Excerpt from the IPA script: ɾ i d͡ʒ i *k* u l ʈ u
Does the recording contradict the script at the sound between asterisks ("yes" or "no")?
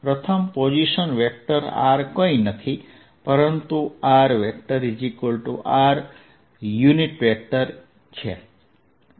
no